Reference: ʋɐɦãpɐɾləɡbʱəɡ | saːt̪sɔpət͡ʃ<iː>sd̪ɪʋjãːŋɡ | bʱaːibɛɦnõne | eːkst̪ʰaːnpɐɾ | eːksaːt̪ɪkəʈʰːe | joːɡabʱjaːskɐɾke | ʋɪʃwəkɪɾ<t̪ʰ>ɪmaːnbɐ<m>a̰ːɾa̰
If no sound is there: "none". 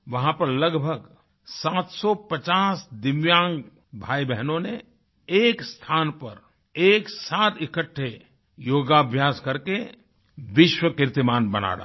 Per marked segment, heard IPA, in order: aː, t̪, n

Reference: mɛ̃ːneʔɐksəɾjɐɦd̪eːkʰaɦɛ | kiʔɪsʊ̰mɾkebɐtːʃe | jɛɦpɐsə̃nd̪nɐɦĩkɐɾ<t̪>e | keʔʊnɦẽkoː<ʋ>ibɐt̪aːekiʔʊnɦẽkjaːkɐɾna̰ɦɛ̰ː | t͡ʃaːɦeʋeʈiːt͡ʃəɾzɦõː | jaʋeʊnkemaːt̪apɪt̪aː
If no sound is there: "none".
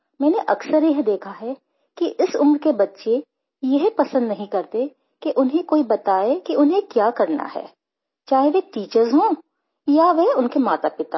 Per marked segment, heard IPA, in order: t̪, none

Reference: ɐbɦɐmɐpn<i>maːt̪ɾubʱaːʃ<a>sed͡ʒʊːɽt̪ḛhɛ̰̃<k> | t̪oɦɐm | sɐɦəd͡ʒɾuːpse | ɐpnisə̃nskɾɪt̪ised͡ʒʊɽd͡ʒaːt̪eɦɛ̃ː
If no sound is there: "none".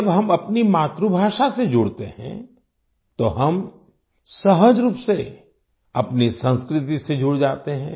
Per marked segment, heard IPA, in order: i, a, none

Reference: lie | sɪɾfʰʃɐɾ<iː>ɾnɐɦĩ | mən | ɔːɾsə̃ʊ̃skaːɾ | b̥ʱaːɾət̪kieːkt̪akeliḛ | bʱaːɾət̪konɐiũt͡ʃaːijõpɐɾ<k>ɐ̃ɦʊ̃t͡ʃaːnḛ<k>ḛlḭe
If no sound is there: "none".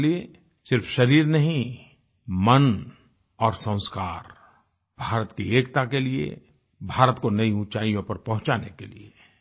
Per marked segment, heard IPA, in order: iː, p, k

